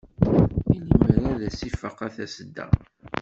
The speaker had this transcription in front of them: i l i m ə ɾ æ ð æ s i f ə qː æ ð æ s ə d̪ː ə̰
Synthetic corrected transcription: i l i m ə ɾ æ ð æ s i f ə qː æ θ æ s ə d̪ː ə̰